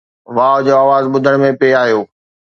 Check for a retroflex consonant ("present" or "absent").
present